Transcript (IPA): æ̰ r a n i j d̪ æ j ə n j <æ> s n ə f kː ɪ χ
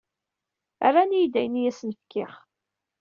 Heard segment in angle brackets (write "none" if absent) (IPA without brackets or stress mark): æ